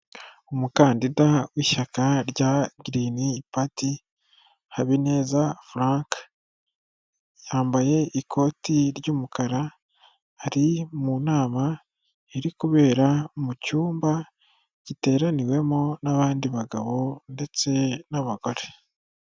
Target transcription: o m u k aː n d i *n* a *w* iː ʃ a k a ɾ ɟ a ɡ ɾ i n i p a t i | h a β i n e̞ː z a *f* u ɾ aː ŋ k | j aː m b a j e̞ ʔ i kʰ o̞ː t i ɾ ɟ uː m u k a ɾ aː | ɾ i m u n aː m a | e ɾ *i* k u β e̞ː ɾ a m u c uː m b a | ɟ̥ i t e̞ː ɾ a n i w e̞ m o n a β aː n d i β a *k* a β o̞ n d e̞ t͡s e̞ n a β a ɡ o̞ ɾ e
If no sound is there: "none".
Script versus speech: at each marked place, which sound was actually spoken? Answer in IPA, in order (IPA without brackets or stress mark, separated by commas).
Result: d, w, f, i, ɡ